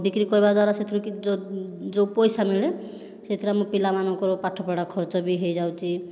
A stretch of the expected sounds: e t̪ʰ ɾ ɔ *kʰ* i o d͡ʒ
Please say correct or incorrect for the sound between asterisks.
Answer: incorrect